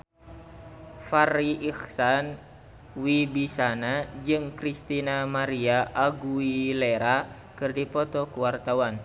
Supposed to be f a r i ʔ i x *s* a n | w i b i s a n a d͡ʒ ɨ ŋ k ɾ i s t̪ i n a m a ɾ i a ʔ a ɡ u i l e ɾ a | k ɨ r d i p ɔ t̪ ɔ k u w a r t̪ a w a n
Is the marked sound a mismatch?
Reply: no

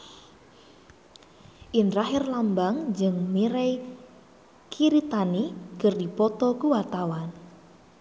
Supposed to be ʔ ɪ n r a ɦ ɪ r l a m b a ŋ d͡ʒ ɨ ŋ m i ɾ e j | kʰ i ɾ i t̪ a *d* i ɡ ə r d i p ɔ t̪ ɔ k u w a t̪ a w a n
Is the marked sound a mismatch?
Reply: yes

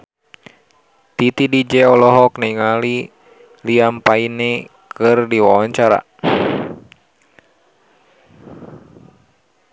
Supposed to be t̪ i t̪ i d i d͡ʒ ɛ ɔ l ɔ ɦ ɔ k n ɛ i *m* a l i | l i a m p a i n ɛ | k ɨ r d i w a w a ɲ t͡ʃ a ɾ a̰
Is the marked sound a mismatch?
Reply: yes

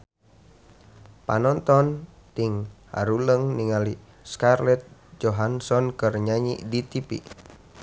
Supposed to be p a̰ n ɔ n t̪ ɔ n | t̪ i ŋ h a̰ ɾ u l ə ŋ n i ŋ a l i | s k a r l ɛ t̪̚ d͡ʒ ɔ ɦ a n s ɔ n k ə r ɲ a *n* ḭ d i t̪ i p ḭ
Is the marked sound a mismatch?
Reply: yes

